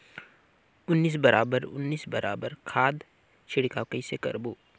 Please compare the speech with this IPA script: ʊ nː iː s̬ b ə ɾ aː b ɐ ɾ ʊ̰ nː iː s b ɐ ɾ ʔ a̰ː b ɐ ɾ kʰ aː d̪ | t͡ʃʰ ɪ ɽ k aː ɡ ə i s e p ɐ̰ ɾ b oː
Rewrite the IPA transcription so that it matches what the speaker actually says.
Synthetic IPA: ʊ nː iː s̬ b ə ɾ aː b ə ɾ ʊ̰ nː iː s b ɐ ɾ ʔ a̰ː b ə ɾ kʰ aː d̪ | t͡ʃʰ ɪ ɽ k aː k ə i s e k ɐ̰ ɾ b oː